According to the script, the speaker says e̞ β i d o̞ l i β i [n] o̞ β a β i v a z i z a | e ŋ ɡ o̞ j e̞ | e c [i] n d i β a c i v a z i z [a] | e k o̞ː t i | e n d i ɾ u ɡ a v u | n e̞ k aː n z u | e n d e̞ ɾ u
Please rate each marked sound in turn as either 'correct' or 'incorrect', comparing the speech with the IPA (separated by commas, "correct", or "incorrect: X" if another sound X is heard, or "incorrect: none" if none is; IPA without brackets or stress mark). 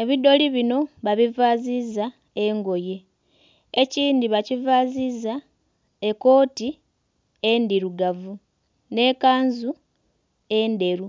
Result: correct, incorrect: iː, correct